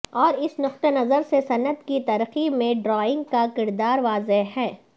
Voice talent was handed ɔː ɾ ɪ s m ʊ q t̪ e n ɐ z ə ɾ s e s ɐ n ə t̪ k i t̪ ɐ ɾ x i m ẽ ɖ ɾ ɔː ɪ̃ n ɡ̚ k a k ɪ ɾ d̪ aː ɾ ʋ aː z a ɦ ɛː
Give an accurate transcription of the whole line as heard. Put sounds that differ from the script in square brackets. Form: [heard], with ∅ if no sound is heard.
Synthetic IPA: ɔː ɾ ɪ s [n] ʊ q t̪ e n ɐ z ə ɾ s e s ɐ n ə t̪ k i t̪ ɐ ɾ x i m ẽ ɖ ɾ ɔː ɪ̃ [ŋ] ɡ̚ k a k ɪ ɾ d̪ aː ɾ ʋ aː z [e] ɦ ɛː